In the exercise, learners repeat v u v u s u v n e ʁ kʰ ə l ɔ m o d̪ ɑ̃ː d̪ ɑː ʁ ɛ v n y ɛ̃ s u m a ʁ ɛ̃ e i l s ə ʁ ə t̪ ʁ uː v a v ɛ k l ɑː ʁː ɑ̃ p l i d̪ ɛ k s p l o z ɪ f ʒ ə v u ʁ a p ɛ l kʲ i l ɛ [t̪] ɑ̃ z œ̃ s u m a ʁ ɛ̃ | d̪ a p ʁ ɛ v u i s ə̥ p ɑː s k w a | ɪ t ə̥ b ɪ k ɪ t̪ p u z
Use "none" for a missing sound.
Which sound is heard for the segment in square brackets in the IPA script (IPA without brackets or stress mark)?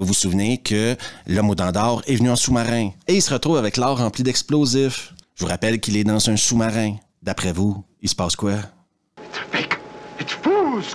d̪